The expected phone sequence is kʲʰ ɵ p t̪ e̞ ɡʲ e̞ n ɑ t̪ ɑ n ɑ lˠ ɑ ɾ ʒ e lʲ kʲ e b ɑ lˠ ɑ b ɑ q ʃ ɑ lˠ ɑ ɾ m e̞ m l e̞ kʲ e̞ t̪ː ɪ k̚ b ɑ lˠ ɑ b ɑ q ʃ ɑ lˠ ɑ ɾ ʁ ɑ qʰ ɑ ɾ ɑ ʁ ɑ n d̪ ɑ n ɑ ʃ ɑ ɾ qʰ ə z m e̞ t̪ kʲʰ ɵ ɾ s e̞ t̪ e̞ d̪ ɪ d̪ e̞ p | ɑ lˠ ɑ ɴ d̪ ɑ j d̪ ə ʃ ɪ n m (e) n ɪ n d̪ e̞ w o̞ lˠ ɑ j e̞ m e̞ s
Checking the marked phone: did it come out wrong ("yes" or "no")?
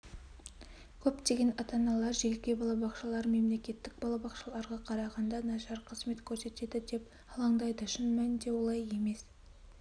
yes